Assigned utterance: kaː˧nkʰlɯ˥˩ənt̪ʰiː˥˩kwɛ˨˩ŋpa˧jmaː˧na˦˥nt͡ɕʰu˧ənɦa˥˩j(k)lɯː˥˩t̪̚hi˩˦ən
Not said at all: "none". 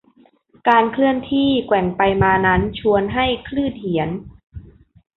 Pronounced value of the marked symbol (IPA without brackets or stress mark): kʰ